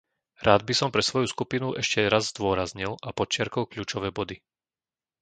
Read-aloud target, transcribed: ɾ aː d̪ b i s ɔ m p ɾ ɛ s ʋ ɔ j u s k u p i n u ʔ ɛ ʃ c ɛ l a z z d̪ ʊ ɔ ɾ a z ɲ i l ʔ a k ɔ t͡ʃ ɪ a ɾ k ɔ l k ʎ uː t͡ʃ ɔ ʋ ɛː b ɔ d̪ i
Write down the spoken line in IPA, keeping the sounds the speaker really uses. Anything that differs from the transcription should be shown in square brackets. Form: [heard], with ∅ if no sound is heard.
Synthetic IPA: ɾ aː d̪ b i s ɔ m p ɾ ɛ s ʋ ɔ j u s k u p i n u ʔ ɛ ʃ c ɛ [ɾ] a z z d̪ ʊ ɔ ɾ a z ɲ i l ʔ a [p] ɔ t͡ʃ ɪ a ɾ k ɔ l k ʎ uː t͡ʃ ɔ ʋ ɛː b ɔ d̪ i